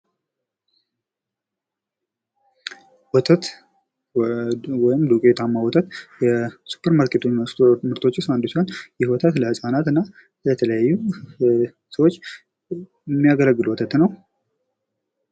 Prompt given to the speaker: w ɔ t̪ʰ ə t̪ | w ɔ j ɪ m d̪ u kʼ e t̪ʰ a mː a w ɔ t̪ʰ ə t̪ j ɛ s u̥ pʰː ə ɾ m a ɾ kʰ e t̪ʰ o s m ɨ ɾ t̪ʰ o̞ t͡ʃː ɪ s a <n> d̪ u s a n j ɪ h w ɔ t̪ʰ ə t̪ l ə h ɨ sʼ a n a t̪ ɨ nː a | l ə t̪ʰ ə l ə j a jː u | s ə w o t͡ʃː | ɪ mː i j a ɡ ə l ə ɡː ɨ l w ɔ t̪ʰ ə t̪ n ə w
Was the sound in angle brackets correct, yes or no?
yes